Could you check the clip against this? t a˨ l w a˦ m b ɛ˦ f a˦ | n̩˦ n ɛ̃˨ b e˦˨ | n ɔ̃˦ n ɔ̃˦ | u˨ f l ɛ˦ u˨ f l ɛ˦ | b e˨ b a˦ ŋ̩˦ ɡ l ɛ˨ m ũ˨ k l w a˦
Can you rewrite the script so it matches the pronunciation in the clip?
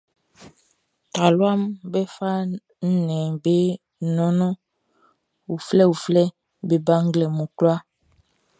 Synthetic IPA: t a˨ l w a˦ m b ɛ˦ f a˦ | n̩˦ n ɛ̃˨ b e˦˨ | n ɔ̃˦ n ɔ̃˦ | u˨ f l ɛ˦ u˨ f l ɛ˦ | b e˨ b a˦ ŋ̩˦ ɡ l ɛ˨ m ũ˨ k l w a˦